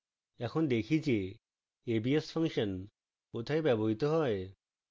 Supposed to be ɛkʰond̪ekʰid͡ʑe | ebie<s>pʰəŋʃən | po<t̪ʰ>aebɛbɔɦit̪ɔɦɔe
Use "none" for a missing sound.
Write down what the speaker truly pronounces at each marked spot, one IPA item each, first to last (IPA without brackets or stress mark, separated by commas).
s, t̪ʰ